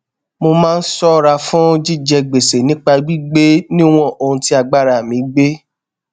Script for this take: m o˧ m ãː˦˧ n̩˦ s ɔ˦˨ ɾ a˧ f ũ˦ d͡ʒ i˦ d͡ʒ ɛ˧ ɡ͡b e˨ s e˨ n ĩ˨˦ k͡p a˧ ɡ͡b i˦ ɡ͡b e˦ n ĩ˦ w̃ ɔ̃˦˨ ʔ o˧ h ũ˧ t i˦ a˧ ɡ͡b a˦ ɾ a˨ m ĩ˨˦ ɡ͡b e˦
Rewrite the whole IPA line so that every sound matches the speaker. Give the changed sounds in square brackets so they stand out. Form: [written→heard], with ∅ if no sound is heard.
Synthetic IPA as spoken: m o˧ m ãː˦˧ n̩˦ s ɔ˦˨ ɾ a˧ f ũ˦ d͡ʒ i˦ d͡ʒ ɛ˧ ɡ͡b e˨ s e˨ n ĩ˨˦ k͡p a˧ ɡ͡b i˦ ɡ͡b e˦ n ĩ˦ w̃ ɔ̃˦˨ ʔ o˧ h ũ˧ t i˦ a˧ ɡ͡b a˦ ɾ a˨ m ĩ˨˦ ɡ͡b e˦